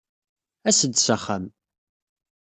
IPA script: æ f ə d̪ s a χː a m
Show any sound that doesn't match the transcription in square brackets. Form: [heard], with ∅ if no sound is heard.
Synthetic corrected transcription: æ [s] ə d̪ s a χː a m